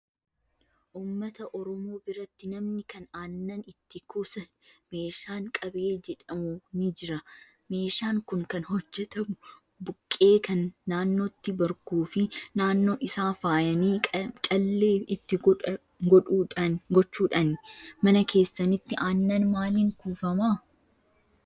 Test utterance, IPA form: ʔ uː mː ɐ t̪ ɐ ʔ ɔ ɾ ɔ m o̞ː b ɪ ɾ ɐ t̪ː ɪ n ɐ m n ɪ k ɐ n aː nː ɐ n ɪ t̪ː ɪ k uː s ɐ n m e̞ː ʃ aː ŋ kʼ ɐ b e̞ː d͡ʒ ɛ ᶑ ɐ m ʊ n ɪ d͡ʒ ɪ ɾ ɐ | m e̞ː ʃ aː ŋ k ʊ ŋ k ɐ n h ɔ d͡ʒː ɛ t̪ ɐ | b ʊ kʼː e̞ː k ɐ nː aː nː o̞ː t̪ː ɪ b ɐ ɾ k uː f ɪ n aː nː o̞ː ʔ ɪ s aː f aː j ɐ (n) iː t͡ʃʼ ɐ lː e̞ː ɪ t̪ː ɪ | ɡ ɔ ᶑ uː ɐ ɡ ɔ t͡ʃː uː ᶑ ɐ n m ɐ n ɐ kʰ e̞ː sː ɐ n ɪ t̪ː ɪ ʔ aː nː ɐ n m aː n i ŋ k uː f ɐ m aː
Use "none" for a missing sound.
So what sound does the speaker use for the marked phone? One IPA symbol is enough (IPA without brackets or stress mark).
n